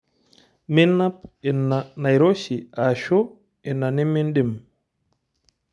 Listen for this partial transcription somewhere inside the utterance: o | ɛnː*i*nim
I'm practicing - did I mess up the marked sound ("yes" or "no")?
yes